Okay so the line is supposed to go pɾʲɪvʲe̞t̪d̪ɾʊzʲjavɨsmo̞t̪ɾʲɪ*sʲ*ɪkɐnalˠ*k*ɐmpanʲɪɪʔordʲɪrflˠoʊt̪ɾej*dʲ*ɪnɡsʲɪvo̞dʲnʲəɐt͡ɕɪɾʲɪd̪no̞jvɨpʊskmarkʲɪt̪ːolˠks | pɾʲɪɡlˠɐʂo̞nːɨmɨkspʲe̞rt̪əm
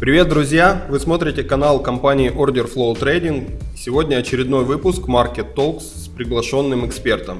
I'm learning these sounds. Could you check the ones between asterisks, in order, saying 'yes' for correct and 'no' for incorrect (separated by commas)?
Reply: no, yes, yes